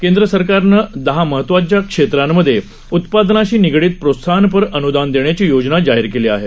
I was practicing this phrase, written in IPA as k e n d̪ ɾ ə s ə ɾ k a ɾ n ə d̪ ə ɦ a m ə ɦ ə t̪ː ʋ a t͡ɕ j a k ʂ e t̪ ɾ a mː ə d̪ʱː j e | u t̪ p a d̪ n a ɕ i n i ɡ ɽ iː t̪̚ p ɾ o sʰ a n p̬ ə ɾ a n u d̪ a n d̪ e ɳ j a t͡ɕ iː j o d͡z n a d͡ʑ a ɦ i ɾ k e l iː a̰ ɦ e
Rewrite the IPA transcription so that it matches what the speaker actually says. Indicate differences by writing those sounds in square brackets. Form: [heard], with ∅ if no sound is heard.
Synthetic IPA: k e n d̪ ɾ ə s ə ɾ k a ɾ n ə d̪ ə ɦ a m ə ɦ ə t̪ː ʋ a t͡ɕ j a k ʂ e t̪ ɾ a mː ə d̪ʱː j e | u t̪ p a d̪ n a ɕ [iː] n i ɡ ɽ iː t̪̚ p ɾ o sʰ a n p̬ ə ɾ [ə] n u d̪ a n d̪ e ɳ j a t͡ɕ iː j o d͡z n a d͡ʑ a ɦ i ɾ k e l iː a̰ ɦ e